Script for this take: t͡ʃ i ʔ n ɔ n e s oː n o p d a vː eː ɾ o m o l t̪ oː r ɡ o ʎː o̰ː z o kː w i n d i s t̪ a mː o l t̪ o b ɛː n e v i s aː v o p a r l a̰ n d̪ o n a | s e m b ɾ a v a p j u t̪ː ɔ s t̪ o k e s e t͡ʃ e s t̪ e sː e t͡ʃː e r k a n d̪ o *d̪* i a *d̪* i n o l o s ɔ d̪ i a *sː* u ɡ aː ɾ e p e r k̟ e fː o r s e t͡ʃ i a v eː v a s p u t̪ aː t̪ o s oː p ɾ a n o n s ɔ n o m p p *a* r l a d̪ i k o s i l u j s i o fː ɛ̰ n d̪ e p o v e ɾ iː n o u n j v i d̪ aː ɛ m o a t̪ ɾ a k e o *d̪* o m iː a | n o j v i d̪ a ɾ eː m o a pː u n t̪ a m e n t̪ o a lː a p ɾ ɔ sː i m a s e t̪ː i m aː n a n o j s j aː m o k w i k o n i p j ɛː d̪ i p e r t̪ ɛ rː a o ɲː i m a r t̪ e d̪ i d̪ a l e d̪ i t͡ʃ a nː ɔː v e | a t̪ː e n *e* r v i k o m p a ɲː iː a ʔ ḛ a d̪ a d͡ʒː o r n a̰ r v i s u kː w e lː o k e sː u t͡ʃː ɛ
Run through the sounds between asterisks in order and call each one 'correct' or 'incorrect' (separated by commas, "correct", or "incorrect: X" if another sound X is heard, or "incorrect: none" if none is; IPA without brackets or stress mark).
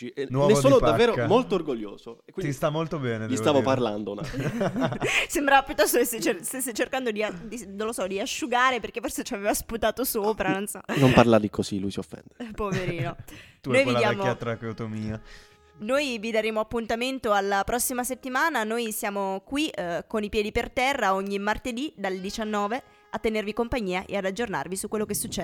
correct, correct, incorrect: ʃː, correct, incorrect: t̪, correct